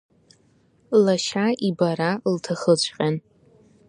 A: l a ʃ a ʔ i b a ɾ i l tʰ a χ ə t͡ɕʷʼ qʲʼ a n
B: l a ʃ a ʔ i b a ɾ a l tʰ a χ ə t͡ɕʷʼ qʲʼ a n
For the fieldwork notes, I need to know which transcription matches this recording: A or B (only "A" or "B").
B